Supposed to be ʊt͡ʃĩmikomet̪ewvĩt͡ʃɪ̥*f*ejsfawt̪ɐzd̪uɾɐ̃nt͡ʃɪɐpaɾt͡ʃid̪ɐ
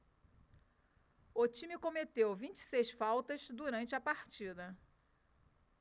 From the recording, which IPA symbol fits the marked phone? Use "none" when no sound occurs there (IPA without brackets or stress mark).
s